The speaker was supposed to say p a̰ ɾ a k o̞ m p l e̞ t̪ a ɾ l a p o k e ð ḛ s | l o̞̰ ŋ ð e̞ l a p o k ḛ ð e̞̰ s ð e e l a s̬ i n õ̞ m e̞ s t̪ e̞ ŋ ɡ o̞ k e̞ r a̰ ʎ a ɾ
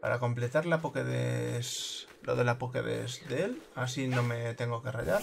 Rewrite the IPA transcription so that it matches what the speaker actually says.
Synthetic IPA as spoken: p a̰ ɾ a k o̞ m p l e̞ t̪ a ɾ l a p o k e ð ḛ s | l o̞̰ ð e̞ l a p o k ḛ ð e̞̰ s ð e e l a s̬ i n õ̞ m e̞ t̪ e̞ ŋ ɡ o̞ k e̞ r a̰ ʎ a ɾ